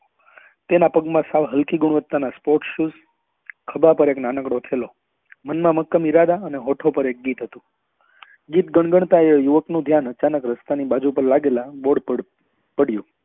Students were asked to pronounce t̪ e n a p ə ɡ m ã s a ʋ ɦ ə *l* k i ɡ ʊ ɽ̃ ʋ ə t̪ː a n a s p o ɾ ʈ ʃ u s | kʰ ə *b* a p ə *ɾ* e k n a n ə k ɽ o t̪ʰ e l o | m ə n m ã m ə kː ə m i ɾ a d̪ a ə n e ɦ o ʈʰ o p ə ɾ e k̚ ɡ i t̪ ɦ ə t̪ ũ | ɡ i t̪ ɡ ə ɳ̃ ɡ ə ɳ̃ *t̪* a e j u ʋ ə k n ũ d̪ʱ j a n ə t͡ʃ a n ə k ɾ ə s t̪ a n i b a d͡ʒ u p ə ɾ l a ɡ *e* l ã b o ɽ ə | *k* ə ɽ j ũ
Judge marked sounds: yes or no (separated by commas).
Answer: yes, yes, yes, yes, yes, no